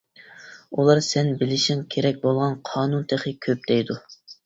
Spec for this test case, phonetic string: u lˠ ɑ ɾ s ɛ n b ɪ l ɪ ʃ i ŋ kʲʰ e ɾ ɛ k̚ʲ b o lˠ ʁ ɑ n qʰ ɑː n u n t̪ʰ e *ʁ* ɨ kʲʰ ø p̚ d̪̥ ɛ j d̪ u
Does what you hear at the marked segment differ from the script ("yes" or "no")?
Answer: yes